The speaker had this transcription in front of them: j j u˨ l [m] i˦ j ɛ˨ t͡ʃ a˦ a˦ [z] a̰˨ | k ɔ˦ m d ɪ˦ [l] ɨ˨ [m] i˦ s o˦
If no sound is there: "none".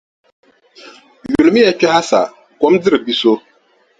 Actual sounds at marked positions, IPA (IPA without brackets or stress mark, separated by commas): m, s, ɾ, b